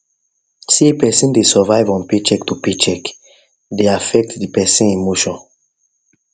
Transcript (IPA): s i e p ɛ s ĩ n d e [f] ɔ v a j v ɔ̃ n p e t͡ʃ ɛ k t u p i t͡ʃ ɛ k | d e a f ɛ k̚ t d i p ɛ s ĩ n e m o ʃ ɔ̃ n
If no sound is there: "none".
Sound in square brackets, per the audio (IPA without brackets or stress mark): s